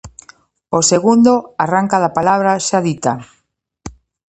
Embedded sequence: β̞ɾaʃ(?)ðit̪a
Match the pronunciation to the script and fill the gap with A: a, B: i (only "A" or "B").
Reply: A